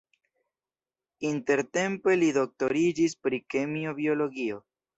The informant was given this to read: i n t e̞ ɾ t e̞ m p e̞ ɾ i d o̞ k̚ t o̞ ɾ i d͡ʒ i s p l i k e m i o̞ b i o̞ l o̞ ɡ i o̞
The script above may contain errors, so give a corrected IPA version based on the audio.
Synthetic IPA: i n t e̞ ɾ t e̞ m p e̞ l i d o̞ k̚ t o̞ ɾ i d͡ʒ i s p ɾ i k e m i o̞ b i o̞ l o̞ ɡ i o̞